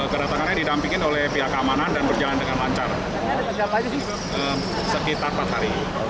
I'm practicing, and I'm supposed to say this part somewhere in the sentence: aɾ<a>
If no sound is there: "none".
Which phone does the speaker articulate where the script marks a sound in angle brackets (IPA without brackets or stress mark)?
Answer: i